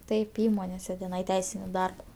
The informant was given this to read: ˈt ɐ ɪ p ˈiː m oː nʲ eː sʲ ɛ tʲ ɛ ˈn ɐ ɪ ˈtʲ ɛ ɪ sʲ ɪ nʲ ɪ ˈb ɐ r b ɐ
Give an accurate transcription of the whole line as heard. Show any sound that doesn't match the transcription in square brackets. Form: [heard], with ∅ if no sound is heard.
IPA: ˈt ɐ ɪ p ˈiː m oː nʲ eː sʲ ɛ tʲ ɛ ˈn ɐ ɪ ˈtʲ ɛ ɪ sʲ ɪ nʲ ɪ [ˈd] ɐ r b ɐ